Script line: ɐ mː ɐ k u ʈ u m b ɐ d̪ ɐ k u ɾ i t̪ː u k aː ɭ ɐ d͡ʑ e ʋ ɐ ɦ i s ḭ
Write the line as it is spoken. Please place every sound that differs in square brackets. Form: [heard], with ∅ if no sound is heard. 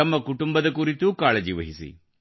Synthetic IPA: ɐ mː ɐ k u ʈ u m b ɐ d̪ ɐ k u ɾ i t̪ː u k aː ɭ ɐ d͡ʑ [i] ʋ ɐ ɦ i s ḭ